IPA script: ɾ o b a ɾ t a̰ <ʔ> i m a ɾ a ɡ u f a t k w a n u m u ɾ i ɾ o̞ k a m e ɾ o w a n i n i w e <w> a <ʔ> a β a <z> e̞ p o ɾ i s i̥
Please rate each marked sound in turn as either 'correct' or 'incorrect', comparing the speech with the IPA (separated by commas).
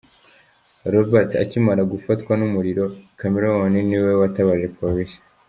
incorrect, correct, incorrect, incorrect